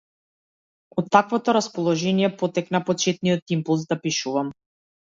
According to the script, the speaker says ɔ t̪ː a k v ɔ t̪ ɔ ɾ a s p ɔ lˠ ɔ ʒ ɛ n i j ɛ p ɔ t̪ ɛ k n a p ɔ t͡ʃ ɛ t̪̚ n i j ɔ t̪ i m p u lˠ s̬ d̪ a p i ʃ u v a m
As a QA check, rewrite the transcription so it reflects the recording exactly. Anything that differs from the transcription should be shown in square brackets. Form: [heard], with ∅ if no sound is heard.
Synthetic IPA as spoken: ɔ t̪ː a k v ɔ t̪ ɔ ɾ a s p ɔ lˠ ɔ ʒ ɛ n i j ɛ p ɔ t̪ ɛ k n a p ɔ t͡ʃ ɛ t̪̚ n i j ɔ t̪ i m p u lˠ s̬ d̪ a p i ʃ u v a m